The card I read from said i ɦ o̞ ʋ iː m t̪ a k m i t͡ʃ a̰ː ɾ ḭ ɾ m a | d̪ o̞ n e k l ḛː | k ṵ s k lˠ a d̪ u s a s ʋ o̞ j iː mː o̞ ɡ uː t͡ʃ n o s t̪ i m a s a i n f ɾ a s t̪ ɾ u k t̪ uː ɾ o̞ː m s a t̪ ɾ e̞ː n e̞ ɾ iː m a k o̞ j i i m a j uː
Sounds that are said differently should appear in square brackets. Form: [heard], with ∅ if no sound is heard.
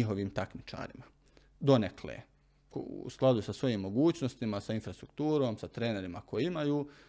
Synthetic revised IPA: i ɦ o̞ ʋ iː m t̪ a k m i t͡ʃ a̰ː ɾ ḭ [∅] m a | d̪ o̞ n e k l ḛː | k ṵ s k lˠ a d̪ u s a s ʋ o̞ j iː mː o̞ ɡ uː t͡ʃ n o s t̪ i m a s a i n f ɾ a s t̪ ɾ u k t̪ uː ɾ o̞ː m s a t̪ ɾ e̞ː n e̞ ɾ [i] m a k o̞ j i i m a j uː